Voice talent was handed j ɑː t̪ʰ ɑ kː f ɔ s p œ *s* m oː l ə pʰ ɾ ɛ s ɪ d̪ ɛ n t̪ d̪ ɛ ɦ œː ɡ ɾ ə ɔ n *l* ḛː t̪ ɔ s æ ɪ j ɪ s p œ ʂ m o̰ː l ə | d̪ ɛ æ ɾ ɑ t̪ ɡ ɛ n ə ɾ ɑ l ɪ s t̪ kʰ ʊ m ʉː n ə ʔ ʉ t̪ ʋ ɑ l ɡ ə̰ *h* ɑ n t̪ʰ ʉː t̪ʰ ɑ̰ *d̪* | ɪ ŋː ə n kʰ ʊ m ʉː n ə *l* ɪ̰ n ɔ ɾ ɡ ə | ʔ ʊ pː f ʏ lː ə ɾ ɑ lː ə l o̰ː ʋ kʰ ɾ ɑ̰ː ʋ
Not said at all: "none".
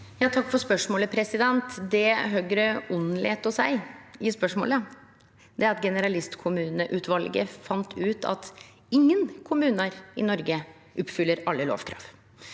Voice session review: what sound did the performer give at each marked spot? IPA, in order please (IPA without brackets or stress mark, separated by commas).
ʂ, l, f, t̪, ɾ